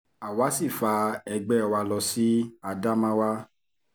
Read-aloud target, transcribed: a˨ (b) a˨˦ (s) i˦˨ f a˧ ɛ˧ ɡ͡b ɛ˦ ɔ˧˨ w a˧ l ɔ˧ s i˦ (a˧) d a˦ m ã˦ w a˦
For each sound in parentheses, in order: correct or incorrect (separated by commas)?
incorrect, correct, correct